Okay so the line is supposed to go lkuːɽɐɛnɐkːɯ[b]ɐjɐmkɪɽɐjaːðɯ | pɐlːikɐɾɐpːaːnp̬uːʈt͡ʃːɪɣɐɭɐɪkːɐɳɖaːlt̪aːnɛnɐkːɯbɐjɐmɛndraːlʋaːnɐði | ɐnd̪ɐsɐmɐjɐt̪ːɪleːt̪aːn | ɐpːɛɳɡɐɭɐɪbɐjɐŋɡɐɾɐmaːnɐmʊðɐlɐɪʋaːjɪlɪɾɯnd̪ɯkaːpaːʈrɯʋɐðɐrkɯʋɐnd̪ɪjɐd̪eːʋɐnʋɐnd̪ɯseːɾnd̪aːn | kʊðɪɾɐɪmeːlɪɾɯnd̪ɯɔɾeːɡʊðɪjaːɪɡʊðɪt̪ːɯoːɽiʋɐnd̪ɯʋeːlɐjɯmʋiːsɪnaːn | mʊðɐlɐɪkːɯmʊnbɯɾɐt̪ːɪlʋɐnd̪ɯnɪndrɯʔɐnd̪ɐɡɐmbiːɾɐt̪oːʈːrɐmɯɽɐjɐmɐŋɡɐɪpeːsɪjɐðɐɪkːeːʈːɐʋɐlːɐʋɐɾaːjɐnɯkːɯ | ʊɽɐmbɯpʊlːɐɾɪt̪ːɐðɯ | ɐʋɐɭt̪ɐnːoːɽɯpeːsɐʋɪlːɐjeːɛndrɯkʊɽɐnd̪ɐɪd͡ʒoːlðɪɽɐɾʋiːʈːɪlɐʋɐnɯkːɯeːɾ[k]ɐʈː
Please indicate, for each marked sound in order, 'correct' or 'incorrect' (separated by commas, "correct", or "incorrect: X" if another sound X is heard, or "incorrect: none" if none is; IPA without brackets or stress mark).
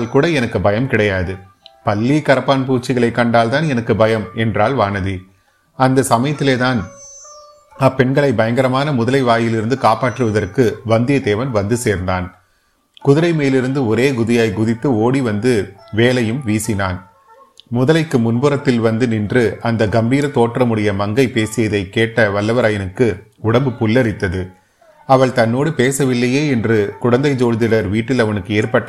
correct, incorrect: p